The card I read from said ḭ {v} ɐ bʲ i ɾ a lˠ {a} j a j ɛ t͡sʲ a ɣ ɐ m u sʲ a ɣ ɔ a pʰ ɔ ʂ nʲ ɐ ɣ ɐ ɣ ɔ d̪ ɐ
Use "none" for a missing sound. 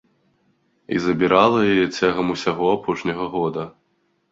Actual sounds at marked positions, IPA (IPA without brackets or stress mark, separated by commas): z, ɐ